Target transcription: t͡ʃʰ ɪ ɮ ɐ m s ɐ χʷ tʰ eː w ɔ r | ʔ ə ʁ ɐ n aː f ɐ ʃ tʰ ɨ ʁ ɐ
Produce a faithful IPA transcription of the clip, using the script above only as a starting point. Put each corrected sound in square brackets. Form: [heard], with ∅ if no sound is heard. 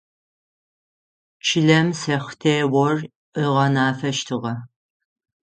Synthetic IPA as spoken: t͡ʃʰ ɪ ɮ ɐ m s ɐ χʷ tʰ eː w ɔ r | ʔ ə ʁ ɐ n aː f ɐ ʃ tʰ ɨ ʁ ɐ